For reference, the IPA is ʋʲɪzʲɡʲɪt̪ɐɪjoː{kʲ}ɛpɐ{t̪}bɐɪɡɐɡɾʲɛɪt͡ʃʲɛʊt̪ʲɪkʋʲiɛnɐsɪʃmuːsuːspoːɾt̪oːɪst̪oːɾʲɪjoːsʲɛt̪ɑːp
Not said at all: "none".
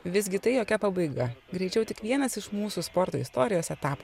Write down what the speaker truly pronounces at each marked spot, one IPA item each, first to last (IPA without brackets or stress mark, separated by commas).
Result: kʲ, none